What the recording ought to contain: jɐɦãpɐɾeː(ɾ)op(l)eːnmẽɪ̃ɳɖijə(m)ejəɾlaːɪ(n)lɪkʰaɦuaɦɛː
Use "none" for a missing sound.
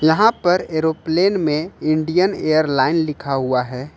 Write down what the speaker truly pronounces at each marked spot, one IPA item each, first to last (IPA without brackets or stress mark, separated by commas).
ɾ, l, n, n